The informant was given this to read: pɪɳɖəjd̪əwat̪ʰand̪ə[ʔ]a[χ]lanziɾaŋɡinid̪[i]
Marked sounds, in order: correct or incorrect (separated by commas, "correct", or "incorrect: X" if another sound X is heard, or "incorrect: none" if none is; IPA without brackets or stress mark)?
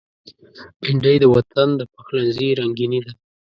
incorrect: p, incorrect: x, incorrect: a